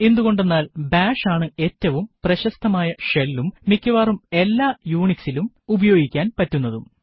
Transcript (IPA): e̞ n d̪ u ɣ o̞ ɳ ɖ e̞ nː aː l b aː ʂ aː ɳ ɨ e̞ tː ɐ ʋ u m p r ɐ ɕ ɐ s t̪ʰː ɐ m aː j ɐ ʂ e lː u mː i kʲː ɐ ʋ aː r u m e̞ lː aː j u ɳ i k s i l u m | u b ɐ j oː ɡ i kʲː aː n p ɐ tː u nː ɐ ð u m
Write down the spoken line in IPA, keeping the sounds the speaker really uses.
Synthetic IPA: e̞ n d̪ u ɣ o̞ ɳ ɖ e̞ nː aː l b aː ʂ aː ɳ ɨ e̞ tː ɐ ʋ u m p r ɐ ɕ ɐ s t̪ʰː ɐ m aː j ɐ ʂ e lː u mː i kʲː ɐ ʋ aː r u m e̞ lː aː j uː ɳ i k s i l u m | u b ɐ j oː ɡ i kʲː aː n p ɐ tː u nː ɐ ð u m